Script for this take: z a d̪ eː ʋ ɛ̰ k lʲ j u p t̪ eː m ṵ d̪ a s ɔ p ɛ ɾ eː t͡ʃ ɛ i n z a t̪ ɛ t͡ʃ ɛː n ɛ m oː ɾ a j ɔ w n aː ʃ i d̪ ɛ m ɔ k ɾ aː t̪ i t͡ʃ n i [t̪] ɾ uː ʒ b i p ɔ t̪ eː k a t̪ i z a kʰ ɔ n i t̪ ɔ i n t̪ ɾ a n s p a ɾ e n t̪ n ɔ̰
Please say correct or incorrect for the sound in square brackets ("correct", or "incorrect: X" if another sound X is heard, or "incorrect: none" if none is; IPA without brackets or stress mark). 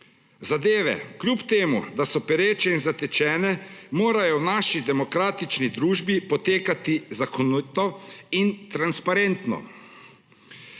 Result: incorrect: d̪